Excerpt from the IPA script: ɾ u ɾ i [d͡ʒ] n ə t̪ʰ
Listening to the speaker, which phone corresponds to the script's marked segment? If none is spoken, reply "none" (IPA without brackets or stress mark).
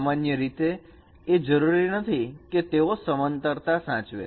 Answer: none